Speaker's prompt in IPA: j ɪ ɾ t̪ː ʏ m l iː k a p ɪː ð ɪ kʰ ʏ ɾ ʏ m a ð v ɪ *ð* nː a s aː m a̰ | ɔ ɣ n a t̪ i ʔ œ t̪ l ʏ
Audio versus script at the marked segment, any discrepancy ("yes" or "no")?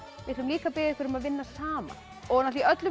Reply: yes